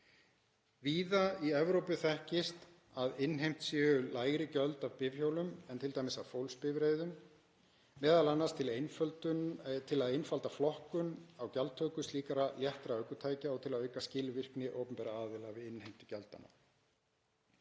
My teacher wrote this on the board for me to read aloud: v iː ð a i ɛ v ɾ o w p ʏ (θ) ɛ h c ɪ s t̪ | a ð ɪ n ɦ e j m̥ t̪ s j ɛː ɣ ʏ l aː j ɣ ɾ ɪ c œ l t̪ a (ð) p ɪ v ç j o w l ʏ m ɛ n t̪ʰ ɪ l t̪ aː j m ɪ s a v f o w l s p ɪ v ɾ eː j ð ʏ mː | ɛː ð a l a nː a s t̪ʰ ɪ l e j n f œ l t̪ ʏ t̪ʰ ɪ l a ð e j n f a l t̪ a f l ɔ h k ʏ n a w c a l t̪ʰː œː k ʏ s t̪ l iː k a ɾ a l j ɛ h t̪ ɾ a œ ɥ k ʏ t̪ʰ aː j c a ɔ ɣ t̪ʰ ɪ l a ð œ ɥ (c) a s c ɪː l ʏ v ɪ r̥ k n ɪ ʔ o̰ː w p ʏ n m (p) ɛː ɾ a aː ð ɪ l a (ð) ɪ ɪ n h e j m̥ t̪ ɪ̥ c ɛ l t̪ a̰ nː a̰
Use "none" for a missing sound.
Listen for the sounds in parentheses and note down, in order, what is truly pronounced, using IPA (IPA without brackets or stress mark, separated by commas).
θ, v, k, p, v